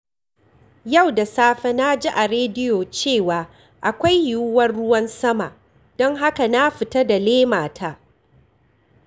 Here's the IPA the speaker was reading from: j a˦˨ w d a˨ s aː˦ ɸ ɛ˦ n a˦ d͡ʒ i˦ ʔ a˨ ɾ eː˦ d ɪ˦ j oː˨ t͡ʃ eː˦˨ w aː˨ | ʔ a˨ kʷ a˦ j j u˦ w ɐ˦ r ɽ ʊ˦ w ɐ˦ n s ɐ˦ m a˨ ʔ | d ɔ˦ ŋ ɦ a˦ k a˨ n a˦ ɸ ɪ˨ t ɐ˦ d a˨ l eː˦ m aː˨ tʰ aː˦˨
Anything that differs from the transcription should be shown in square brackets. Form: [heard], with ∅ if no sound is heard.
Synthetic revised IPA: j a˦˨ w d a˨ s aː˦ ɸ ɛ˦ n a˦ d͡ʒ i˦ ʔ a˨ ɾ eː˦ d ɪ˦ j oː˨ t͡ʃ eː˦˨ w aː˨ | ʔ a˨ kʷ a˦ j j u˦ w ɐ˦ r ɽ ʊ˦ w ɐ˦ n s ɐ˦ m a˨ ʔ | d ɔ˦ ŋ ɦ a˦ k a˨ n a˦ ɸ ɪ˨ t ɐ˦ d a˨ l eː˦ m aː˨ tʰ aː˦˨